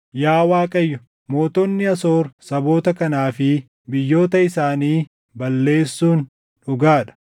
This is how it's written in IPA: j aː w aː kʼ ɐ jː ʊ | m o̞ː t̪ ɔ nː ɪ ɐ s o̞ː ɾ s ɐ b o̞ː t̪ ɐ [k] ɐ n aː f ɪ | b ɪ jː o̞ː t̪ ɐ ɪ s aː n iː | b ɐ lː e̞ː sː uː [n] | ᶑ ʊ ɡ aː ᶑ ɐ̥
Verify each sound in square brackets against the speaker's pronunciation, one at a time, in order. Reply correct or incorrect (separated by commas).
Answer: correct, correct